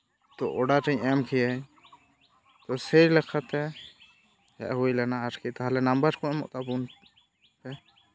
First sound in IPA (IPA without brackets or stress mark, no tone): t̪